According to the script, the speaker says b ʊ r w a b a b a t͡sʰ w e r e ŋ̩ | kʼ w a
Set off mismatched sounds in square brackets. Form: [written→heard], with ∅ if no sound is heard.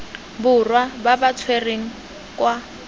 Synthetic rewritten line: b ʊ r w a b a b a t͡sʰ w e r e ŋ̩ | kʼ w a